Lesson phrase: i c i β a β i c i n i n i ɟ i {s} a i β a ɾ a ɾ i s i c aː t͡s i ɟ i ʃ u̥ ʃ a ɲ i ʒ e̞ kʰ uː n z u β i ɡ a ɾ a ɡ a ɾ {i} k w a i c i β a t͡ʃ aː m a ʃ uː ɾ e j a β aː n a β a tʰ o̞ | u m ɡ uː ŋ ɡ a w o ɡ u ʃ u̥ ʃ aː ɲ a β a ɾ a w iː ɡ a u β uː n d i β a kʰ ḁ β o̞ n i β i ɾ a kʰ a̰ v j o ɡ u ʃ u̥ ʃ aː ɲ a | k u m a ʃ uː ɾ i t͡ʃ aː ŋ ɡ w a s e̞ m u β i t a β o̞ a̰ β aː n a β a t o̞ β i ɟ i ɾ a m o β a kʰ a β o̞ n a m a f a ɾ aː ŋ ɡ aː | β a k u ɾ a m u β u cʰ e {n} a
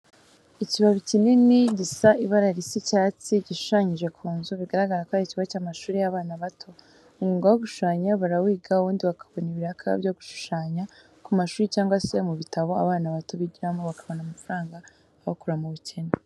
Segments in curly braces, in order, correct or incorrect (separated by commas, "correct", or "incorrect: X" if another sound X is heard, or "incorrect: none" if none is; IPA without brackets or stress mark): correct, incorrect: a, correct